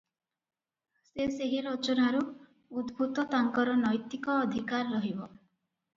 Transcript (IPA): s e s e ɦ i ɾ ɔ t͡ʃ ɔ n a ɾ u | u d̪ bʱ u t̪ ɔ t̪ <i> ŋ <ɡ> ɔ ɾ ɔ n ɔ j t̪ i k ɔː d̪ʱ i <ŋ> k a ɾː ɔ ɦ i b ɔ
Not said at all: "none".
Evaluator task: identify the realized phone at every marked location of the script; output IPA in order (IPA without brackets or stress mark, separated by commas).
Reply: a, k, none